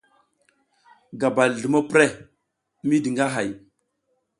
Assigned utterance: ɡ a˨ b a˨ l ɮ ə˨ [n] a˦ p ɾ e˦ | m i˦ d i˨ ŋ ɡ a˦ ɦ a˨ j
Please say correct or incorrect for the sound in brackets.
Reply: incorrect